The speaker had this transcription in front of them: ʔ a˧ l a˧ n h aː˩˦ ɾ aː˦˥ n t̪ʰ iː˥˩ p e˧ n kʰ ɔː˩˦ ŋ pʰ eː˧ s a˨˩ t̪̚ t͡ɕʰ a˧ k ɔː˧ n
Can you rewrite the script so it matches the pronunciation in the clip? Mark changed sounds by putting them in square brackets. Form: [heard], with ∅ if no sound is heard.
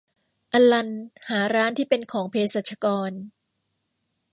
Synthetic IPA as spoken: ʔ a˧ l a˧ n h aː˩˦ ɾ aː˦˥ n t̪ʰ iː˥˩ p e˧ n kʰ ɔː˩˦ ŋ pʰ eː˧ s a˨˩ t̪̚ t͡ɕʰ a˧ k ɔː˧ n